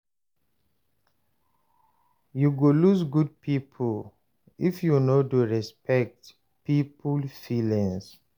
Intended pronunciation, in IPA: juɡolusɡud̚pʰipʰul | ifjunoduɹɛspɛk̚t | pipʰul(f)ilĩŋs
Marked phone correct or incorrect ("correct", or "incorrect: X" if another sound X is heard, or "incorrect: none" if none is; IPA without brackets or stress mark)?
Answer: correct